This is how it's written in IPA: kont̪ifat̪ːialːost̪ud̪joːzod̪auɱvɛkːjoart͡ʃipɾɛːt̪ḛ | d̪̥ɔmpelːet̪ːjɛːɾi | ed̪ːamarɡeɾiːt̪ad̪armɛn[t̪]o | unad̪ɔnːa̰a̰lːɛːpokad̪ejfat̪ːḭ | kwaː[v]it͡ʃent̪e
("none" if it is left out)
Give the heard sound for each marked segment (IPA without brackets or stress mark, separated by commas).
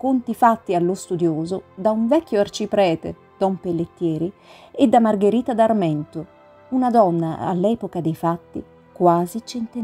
t̪, z